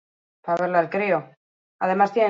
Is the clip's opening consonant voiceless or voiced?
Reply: voiceless